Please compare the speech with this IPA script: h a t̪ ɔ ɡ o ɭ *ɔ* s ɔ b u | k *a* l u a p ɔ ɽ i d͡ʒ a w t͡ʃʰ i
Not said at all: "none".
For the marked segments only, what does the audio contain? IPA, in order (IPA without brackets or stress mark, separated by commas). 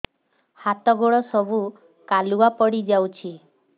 ɔ, a